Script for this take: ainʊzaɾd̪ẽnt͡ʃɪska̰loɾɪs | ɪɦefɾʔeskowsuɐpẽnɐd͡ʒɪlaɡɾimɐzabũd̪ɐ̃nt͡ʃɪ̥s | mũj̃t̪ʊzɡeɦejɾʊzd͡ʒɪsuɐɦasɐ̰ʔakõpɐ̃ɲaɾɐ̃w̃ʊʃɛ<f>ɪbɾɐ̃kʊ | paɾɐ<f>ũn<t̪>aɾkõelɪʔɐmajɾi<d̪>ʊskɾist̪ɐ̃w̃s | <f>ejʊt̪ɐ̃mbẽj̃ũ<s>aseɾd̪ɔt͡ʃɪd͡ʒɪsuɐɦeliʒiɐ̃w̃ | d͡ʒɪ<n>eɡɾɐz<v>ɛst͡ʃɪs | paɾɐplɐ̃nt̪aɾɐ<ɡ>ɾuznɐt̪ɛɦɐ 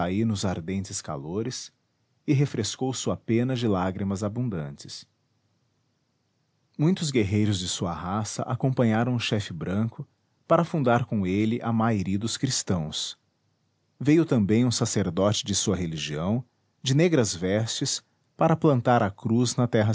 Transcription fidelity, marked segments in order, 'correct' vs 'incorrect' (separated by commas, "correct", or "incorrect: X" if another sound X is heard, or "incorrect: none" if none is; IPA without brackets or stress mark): correct, correct, incorrect: d̪, correct, incorrect: v, correct, correct, correct, incorrect: k